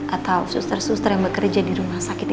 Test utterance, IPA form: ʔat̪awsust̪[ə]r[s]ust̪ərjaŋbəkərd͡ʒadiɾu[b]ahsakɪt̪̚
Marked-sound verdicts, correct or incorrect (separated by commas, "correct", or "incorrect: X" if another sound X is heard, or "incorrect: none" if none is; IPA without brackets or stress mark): correct, correct, incorrect: m